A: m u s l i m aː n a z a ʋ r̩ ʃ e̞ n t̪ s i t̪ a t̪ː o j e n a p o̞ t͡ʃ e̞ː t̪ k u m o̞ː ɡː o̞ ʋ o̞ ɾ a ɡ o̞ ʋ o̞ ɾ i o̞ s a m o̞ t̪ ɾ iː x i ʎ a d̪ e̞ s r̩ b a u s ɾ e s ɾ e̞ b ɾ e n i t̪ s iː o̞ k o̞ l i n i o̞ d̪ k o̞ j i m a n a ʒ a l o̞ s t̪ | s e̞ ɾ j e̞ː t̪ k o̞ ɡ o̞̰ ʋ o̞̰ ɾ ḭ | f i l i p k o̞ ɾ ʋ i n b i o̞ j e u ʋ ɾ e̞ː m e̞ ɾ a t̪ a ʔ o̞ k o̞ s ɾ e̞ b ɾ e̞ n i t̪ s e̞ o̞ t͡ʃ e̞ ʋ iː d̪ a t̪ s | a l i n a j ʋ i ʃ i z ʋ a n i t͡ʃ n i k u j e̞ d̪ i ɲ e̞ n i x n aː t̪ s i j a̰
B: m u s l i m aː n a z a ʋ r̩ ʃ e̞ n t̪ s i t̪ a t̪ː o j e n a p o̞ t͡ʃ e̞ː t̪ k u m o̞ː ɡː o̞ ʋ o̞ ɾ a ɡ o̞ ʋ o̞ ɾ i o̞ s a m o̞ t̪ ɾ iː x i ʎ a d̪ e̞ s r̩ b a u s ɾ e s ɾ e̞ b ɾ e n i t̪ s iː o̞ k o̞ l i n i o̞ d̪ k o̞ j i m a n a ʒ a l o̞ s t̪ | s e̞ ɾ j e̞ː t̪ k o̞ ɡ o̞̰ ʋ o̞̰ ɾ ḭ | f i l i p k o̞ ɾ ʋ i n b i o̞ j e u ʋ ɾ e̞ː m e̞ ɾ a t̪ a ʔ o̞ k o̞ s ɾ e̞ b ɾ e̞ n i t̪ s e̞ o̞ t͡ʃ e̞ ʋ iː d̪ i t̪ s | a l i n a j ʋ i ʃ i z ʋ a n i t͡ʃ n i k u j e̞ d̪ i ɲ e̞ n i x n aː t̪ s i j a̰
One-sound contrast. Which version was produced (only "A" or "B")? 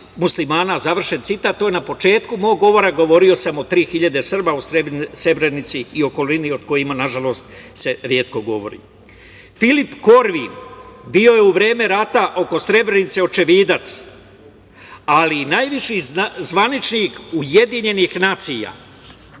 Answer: A